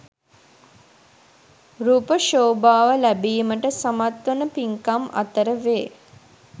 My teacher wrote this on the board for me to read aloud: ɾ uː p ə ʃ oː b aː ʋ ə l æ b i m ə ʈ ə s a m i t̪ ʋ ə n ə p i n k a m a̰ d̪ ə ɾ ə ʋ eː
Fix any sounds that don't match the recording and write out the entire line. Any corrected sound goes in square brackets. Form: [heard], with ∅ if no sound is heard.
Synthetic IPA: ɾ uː p ə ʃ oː b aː ʋ ə l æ b [iː] m ə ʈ ə s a m [a] t̪ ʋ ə n ə p i [ŋ] k a m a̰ [t̪] ə ɾ ə ʋ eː